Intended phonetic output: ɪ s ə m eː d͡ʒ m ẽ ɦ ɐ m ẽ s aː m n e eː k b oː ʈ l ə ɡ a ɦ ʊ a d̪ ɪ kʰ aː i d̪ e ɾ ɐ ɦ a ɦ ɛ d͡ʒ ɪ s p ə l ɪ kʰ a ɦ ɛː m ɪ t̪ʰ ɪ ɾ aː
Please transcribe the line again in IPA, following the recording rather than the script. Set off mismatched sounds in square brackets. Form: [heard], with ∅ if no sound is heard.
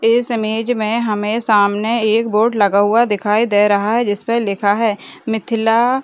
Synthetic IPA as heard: ɪ s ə m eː d͡ʒ m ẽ ɦ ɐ m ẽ s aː m n e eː k b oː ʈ l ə ɡ a ɦ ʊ a d̪ ɪ kʰ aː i d̪ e ɾ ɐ ɦ a ɦ ɛ d͡ʒ ɪ s p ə l ɪ kʰ a ɦ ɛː m ɪ t̪ʰ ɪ [l] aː

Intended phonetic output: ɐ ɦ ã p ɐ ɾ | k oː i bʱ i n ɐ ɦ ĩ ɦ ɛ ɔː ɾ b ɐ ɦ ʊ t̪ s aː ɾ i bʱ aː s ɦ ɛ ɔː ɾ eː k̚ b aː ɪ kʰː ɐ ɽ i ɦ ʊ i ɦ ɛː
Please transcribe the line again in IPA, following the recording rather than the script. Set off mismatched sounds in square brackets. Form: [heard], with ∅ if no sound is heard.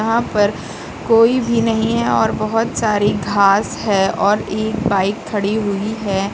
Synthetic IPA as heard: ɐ ɦ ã p ɐ ɾ | k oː i bʱ i n ɐ ɦ ĩ ɦ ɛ ɔː ɾ b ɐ ɦ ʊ t̪ s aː ɾ i [ɡʱ] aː s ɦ ɛ ɔː ɾ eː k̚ b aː ɪ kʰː ɐ ɽ i ɦ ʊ i ɦ ɛː

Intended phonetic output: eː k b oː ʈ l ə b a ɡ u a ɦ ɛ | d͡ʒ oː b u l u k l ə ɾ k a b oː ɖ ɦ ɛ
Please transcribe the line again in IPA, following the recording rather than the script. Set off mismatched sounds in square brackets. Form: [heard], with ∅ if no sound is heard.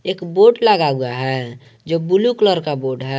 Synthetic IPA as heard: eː k b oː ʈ l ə [ɡ] a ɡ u a ɦ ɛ | d͡ʒ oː b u l u k l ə ɾ k a b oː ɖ ɦ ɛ

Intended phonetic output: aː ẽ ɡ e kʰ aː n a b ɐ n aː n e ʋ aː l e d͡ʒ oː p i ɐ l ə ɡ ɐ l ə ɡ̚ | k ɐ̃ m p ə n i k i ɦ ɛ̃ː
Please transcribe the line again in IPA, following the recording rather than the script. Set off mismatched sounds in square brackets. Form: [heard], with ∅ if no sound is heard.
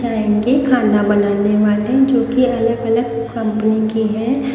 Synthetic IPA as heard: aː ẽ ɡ e kʰ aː n a b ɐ n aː n e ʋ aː l e d͡ʒ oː [k] i ɐ l ə ɡ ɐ l ə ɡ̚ | k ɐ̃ m p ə n i k i ɦ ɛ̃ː

